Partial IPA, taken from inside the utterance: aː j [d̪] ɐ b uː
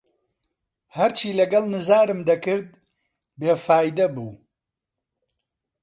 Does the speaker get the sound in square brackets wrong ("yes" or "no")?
no